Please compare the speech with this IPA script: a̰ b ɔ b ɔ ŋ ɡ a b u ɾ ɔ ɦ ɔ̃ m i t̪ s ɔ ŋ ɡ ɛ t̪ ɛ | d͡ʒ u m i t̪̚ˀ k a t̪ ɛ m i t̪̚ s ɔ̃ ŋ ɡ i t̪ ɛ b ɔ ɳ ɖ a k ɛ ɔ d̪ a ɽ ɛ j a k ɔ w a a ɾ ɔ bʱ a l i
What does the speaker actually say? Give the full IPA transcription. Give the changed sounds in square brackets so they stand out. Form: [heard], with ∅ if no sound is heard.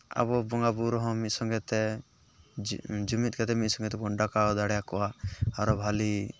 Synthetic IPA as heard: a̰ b ɔ b ɔ ŋ ɡ a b u ɾ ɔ ɦ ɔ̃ m i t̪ s ɔ ŋ ɡ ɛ t̪ ɛ | d͡ʒ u m i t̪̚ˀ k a t̪ ɛ m i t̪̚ s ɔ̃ ŋ ɡ [ɛ] t̪ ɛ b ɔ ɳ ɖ a k [a] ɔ d̪ a ɽ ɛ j a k ɔ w a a ɾ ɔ bʱ a l i

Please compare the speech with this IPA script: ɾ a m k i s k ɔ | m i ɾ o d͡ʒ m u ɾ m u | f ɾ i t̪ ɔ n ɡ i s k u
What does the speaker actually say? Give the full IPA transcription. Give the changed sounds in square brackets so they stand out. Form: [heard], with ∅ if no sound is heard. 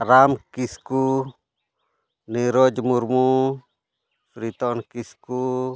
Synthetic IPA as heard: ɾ a m k i s k [u] | [n] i ɾ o d͡ʒ m u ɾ m u | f ɾ i t̪ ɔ n [k] i s k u

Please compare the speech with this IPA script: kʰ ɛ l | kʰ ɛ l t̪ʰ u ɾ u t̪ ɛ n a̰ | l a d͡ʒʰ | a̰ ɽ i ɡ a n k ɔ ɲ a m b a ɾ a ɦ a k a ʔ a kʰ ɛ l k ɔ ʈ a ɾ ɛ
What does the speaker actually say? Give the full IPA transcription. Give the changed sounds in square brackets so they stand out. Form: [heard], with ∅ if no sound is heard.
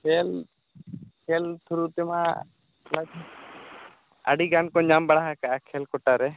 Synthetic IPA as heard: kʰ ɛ l | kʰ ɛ l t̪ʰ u ɾ u t̪ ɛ [m] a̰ | l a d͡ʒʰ | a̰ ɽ i ɡ a n k ɔ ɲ a m b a [ɽ] a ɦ a k a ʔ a kʰ ɛ l k ɔ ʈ a ɾ ɛ

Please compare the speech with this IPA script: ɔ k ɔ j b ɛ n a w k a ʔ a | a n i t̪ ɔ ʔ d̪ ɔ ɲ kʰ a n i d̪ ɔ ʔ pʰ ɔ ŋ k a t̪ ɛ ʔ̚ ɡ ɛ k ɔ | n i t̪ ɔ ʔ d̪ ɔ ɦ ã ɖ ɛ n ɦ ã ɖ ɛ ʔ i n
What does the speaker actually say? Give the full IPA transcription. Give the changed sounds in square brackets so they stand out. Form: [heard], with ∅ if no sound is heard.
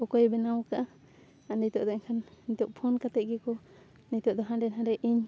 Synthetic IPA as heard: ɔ k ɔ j b ɛ n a w k a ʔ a | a n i t̪ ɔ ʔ d̪ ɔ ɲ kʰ a n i [t̪] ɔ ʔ pʰ ɔ [n] k a t̪ ɛ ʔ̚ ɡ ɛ k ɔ | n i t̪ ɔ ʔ d̪ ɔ ɦ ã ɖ ɛ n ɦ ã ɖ ɛ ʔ i [ɲ]

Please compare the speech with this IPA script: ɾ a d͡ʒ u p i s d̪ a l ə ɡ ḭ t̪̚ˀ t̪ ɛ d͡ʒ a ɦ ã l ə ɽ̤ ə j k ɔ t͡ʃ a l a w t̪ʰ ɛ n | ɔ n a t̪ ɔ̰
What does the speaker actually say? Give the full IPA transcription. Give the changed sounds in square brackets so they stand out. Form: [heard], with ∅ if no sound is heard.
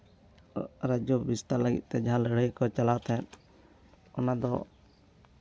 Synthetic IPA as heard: ɾ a d͡ʒ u [b] i s [t̪] a l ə ɡ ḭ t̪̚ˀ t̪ ɛ d͡ʒ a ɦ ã l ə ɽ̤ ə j k ɔ t͡ʃ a l a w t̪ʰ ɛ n | ɔ n a [d̪] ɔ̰

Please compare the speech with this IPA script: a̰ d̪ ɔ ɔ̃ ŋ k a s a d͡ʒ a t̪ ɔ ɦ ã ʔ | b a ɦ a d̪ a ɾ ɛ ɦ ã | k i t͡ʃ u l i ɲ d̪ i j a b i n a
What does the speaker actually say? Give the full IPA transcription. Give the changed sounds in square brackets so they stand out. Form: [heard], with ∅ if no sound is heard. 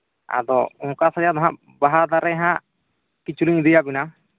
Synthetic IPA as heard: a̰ d̪ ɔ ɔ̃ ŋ k a s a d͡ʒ a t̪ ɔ ɦ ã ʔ | b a ɦ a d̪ a ɾ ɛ ɦ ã | k i t͡ʃ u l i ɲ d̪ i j a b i n a

